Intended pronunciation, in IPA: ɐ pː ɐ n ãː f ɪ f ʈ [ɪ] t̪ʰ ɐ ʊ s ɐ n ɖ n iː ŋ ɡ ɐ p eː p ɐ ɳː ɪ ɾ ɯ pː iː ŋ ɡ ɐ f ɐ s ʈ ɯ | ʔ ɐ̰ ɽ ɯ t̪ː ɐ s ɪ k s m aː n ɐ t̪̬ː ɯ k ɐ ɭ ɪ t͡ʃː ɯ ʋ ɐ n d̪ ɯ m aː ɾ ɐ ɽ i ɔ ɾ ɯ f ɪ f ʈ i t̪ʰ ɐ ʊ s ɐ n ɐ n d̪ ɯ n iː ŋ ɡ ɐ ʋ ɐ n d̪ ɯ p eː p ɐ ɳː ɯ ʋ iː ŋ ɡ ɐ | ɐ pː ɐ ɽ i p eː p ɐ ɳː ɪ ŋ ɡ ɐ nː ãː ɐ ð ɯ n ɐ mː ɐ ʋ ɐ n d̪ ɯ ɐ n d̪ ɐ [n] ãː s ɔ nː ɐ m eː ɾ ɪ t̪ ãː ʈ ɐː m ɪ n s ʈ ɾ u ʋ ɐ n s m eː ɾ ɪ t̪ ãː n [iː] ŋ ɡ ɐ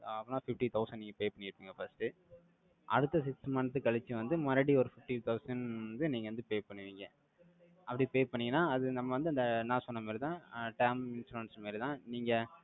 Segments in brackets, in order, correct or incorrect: incorrect: i, correct, correct

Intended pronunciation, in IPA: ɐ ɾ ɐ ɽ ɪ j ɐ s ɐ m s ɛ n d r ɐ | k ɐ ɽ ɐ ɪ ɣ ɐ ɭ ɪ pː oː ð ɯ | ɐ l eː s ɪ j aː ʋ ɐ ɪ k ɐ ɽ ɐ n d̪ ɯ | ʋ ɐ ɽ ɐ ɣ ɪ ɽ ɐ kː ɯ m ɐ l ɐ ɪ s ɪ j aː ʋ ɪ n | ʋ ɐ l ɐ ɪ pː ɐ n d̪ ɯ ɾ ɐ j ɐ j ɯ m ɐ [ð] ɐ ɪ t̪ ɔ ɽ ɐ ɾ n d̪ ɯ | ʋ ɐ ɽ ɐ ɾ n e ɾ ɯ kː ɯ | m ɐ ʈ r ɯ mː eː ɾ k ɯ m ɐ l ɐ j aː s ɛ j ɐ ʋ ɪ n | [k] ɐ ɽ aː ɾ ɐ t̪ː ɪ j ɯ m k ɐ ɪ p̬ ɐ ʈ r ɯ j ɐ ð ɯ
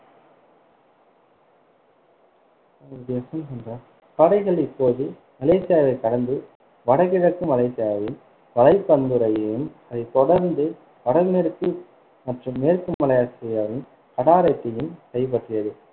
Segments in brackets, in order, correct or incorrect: correct, correct

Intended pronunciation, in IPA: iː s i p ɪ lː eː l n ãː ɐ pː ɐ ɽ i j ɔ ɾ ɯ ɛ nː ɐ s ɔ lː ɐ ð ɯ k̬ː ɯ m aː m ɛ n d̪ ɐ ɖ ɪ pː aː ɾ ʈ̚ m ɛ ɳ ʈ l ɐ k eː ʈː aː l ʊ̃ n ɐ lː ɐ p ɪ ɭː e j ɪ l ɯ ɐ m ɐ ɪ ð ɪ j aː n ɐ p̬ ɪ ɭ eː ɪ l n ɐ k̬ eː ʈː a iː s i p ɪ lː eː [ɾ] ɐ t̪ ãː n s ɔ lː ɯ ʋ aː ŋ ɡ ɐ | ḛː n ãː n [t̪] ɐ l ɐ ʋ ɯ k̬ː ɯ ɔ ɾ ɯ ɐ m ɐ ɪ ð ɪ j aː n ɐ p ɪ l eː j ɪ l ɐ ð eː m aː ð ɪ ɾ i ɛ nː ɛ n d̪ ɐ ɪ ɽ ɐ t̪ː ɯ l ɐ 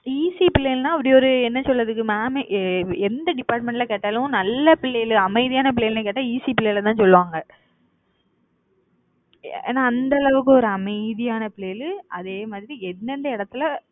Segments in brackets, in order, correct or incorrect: incorrect: l, incorrect: d̪

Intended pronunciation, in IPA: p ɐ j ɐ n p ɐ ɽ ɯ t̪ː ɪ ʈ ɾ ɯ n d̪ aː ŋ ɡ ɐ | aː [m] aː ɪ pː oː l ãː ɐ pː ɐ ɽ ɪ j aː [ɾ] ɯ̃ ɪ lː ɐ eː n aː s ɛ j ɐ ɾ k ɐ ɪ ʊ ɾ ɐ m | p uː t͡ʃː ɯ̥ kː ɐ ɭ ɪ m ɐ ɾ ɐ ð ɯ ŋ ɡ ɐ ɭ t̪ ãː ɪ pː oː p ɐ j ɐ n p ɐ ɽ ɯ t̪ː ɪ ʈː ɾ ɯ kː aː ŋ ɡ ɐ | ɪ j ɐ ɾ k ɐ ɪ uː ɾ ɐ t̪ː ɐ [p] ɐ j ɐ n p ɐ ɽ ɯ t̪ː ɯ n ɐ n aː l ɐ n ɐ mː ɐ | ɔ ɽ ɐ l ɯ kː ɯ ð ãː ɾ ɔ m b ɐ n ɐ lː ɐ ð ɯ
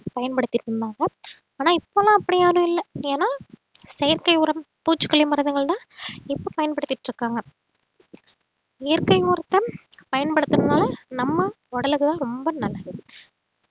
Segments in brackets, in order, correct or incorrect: incorrect: n, correct, correct

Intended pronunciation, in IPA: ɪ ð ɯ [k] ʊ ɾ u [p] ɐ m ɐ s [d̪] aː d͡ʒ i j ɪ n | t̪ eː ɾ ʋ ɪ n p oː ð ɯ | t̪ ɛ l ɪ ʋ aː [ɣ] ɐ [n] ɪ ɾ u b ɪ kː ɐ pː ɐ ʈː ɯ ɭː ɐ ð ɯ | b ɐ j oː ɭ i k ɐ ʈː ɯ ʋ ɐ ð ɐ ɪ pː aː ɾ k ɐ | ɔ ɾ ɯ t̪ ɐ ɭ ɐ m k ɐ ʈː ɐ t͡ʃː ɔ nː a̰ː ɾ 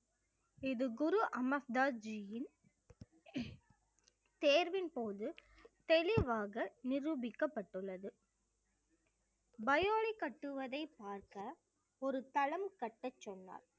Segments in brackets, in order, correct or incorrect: incorrect: ɡ, incorrect: ʔ, correct, correct, correct

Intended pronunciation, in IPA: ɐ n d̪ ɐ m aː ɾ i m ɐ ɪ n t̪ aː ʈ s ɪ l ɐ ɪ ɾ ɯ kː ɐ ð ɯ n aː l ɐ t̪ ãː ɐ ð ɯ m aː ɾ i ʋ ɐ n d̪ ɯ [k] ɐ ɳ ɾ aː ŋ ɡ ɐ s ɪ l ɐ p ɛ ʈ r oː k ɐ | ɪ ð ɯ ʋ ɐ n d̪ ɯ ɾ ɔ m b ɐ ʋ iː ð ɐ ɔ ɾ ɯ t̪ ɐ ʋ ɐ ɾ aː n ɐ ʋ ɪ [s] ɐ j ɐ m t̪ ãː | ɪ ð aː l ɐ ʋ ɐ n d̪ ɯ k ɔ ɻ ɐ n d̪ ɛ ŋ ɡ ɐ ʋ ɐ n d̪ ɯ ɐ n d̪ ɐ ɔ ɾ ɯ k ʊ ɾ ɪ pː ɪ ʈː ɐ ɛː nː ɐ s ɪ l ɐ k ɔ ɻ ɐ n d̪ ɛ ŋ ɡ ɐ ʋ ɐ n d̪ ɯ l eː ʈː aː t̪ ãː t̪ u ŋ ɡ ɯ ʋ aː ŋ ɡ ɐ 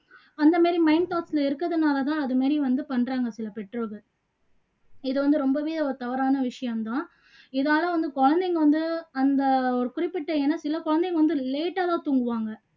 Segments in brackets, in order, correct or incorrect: incorrect: p, incorrect: ʂ

